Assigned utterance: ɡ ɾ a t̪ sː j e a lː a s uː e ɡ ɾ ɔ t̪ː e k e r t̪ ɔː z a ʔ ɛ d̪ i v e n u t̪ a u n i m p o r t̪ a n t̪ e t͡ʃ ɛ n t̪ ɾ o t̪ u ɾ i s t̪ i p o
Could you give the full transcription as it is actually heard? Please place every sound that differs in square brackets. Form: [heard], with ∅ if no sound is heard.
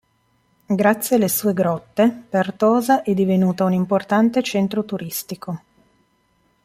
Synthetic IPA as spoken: ɡ ɾ a t̪ sː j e a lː [e] s uː e ɡ ɾ ɔ t̪ː e [p] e r t̪ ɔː z a ʔ ɛ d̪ i v e n [uː] t̪ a u n i m p o r t̪ a n t̪ e t͡ʃ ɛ n t̪ ɾ o t̪ u ɾ i s t̪ i [k] o